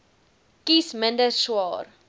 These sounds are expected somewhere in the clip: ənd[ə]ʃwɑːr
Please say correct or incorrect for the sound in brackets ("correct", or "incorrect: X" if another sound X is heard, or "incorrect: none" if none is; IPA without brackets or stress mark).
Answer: correct